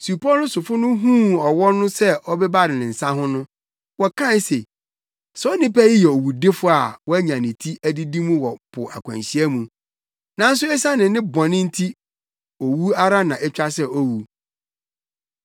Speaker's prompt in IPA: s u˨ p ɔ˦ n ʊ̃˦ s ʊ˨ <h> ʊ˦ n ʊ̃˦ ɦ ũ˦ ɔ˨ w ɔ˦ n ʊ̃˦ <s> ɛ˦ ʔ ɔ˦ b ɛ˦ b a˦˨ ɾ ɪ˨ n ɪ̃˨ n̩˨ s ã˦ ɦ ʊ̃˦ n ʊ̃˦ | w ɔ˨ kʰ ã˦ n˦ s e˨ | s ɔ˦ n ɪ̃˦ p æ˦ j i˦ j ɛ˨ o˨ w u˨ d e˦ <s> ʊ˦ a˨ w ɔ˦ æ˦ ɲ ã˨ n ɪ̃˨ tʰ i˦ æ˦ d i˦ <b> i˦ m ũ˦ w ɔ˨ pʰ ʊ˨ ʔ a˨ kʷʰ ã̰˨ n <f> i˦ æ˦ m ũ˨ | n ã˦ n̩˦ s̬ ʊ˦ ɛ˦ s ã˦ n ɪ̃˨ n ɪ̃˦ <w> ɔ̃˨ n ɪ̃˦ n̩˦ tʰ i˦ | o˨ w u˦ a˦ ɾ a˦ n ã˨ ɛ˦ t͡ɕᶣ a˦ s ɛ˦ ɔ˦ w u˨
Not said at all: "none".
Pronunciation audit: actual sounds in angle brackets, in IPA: f, s, f, d, ɕ, b

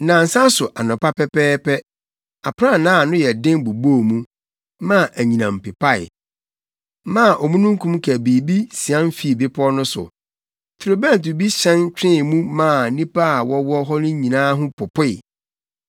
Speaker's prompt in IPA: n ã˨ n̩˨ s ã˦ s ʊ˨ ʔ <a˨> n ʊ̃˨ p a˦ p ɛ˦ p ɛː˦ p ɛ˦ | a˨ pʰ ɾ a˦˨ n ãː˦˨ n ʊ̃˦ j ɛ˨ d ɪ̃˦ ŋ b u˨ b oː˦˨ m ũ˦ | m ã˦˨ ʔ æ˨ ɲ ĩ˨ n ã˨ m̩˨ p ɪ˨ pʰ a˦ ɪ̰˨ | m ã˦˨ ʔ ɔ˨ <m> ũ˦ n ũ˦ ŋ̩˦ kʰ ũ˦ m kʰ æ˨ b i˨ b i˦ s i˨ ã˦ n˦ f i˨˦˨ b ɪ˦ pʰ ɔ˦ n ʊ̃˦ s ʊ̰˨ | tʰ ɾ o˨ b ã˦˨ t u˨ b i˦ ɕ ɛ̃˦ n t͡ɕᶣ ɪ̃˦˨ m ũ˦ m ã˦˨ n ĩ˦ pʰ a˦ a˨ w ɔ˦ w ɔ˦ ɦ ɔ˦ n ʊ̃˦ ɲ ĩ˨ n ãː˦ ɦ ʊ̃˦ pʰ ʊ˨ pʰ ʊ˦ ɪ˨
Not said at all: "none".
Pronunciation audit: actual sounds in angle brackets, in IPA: a˨, m

